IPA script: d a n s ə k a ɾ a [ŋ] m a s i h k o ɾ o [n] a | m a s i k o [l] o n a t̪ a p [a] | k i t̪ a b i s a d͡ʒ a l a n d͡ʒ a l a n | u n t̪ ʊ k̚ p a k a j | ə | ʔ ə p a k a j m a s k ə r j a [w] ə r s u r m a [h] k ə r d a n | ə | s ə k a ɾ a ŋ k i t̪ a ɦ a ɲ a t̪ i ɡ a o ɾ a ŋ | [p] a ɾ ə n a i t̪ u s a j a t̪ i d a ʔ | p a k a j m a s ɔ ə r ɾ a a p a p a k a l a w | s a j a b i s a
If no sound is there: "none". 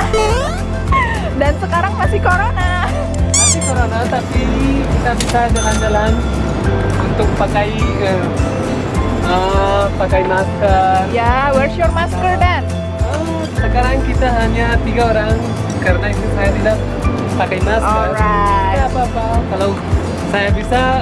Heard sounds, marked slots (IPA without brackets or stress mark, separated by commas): ŋ, n, ɾ, i, w, s, k